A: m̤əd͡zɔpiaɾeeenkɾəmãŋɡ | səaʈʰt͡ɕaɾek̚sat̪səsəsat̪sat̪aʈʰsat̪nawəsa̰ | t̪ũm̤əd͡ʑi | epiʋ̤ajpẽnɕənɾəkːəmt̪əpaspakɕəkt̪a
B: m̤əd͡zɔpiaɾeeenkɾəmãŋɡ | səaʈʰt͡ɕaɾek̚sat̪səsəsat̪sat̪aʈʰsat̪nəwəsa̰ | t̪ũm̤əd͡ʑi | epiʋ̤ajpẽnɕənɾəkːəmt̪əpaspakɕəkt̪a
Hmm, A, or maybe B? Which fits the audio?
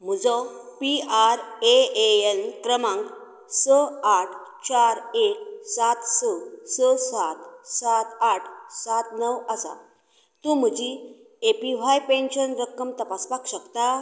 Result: B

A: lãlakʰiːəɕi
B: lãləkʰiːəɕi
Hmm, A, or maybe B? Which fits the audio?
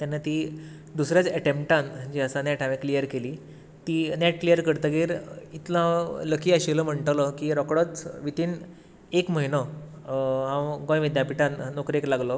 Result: B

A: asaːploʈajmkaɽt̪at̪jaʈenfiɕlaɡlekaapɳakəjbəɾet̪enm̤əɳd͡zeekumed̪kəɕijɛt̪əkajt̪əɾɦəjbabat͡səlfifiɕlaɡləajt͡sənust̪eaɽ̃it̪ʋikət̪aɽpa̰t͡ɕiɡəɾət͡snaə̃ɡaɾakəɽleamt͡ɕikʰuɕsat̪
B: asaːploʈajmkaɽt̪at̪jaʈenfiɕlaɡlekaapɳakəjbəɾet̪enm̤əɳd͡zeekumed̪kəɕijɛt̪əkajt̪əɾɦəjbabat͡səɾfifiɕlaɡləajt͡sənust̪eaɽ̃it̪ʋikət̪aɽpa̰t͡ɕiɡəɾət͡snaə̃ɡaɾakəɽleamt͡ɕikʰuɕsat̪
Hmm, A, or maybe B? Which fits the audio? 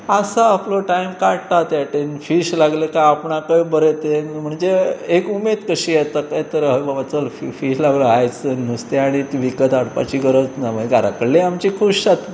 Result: A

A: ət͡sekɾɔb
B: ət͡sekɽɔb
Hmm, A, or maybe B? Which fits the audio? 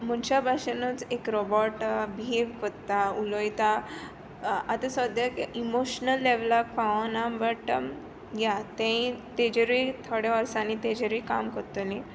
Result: A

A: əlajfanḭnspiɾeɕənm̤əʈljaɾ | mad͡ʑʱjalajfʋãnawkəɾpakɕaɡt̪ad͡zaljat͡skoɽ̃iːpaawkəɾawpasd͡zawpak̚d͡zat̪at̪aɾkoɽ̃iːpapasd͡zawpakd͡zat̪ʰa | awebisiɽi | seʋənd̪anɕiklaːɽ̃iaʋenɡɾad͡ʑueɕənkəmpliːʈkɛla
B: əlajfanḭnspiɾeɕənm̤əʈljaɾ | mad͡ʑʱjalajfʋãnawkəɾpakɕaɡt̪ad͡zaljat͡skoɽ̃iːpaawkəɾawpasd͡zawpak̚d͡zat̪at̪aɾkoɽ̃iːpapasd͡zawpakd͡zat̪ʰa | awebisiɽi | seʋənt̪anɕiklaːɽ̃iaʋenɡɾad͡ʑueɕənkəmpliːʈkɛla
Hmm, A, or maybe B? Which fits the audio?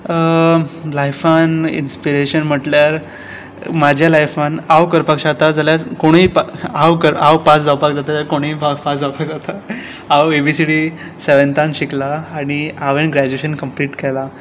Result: B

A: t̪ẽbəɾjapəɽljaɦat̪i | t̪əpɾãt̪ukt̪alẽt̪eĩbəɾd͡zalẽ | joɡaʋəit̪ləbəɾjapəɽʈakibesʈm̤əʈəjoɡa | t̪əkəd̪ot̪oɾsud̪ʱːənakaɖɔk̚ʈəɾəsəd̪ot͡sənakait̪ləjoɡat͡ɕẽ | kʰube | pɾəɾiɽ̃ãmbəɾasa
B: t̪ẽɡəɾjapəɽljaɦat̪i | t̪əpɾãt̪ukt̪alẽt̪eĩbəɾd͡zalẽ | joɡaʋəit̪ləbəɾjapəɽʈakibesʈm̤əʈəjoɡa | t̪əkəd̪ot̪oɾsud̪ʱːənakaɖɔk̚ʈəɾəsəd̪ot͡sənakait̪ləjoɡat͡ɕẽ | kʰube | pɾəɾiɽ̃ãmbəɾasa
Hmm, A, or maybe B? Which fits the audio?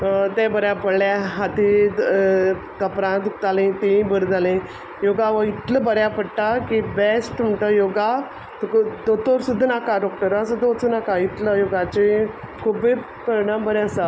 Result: A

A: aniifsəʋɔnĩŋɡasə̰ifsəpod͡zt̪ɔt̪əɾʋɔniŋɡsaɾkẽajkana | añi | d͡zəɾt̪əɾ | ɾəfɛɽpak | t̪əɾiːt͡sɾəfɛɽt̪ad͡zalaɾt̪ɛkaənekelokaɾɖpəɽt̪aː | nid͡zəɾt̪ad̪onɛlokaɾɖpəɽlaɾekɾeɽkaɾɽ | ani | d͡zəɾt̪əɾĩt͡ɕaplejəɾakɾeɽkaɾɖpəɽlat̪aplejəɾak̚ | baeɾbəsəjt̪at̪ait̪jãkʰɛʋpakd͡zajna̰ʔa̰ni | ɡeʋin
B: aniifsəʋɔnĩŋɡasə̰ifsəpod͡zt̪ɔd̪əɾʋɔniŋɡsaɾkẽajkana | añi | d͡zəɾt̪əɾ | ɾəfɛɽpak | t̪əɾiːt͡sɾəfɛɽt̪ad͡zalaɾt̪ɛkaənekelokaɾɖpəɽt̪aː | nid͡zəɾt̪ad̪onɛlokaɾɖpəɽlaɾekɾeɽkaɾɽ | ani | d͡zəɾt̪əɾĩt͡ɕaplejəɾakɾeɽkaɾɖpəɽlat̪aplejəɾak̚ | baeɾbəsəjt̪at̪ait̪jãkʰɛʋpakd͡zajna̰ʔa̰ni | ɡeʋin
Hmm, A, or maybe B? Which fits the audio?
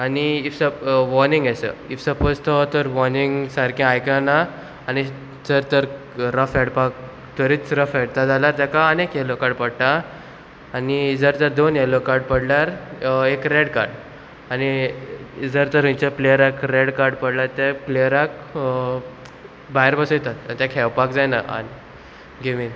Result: A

